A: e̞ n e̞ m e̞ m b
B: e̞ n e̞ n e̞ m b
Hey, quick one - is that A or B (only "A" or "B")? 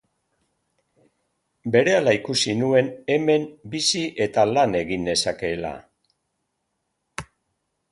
A